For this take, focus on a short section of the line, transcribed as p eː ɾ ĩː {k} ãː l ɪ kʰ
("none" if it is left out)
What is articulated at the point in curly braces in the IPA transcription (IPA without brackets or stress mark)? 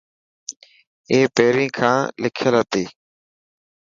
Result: kʰ